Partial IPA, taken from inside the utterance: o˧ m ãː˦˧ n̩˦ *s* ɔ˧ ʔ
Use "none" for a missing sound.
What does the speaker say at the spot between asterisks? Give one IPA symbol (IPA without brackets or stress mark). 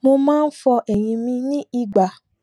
f